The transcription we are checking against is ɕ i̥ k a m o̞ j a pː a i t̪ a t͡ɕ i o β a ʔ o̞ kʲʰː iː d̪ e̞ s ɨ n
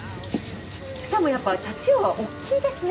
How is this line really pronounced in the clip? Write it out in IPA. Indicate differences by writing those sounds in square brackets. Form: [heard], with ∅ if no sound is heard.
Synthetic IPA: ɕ i̥ k a m o̞ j a pː a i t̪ a t͡ɕ i o β a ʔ o̞ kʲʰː iː d̪ e̞ s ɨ n